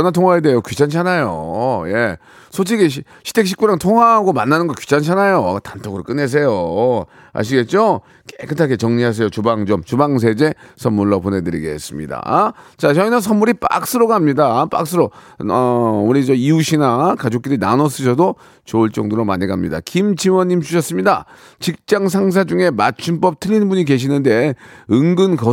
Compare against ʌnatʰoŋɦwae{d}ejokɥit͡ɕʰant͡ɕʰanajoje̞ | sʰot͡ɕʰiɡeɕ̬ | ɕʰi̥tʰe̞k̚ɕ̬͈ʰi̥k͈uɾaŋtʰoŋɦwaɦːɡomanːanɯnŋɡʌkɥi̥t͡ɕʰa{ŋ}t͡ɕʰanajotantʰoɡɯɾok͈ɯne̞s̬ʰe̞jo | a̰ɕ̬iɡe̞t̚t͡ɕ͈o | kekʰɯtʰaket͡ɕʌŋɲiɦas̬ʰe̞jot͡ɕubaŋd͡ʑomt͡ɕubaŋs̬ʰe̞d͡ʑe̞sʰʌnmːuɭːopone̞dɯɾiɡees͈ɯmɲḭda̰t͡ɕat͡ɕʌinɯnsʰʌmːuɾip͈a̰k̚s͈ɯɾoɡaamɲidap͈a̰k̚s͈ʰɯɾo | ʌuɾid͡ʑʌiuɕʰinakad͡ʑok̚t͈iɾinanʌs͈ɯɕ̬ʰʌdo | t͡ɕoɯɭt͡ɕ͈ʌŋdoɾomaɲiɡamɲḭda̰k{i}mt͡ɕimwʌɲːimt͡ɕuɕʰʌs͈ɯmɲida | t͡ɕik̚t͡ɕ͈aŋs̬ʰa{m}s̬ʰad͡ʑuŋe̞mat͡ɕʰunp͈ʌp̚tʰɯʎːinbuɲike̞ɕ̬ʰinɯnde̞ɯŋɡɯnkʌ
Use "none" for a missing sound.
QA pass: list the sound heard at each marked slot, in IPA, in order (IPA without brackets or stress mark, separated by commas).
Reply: d, n, i, ŋ